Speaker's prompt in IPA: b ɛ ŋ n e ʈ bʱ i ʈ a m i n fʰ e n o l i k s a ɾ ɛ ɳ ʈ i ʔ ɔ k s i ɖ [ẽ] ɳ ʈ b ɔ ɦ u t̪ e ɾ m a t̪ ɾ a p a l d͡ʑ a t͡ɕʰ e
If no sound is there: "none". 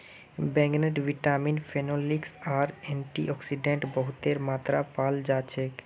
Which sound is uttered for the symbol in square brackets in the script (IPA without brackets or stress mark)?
e